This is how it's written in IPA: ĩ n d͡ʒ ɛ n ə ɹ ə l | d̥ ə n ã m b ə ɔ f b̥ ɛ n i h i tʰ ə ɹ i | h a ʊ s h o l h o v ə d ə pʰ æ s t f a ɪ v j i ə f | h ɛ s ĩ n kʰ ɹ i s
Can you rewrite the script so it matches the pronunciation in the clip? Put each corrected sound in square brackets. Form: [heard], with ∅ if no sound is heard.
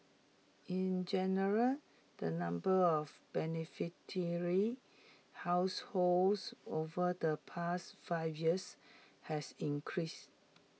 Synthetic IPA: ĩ n d͡ʒ ɛ n ə ɹ ə l | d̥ ə n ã m b ə ɔ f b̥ ɛ n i [f] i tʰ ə ɹ i | h a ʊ s h o l [s] o v ə d ə pʰ [a] s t f a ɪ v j i ə [s] | h ɛ s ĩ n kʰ ɹ i s